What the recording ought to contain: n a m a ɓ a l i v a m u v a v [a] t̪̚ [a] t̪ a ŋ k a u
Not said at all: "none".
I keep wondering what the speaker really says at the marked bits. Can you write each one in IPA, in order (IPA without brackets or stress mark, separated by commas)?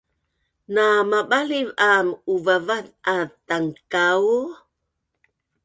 a, a